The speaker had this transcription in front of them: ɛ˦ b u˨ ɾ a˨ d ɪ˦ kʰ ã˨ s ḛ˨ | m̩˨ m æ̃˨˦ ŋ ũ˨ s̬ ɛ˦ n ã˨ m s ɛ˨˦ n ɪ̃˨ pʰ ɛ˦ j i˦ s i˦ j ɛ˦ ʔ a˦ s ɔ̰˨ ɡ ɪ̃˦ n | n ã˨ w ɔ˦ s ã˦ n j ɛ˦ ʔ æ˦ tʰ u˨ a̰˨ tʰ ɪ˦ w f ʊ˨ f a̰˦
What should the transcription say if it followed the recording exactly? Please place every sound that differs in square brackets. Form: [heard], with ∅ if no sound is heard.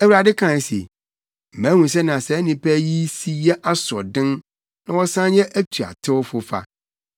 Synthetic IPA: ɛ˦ [w] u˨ ɾ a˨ d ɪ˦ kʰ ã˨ s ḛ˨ | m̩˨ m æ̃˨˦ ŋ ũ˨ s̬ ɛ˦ n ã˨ [∅] s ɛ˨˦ n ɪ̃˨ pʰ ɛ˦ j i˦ s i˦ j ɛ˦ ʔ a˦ s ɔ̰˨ [d] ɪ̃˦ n | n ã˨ w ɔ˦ s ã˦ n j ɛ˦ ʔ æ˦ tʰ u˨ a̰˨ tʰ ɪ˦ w f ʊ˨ f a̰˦